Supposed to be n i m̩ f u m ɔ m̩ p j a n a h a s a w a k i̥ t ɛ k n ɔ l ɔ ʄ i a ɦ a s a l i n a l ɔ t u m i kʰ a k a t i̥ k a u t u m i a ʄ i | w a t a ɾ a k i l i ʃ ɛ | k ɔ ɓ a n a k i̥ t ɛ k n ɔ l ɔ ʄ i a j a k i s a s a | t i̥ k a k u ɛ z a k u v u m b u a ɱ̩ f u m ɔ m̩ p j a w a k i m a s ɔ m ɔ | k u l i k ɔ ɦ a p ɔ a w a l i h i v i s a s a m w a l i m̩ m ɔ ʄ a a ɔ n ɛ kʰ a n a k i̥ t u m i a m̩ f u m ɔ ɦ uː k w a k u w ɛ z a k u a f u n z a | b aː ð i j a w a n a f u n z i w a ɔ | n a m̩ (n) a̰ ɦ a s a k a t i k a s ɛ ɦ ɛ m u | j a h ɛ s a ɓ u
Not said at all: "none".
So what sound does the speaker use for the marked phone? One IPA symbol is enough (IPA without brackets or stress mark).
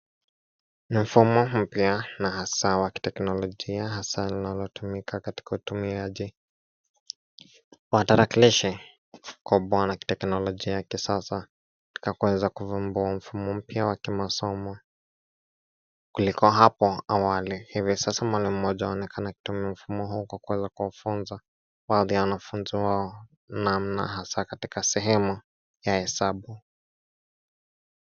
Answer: n